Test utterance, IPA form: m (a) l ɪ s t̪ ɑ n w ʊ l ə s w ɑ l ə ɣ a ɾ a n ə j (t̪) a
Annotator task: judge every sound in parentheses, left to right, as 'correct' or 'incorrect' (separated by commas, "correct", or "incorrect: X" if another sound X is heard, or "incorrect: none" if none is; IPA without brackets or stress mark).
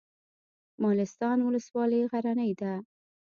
incorrect: ɑ, incorrect: d̪